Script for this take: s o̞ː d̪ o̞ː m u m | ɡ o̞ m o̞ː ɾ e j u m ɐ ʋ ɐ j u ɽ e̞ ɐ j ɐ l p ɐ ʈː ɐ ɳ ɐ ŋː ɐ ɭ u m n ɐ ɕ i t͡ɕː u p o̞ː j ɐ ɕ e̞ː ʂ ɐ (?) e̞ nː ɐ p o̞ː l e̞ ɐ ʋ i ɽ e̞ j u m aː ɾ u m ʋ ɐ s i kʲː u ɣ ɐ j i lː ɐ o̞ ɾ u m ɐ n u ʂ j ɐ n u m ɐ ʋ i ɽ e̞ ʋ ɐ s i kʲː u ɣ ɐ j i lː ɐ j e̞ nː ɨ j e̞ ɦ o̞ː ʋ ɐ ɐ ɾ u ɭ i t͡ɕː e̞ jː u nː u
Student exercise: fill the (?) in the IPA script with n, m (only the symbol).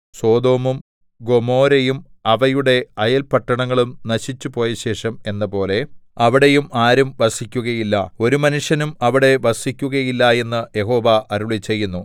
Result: m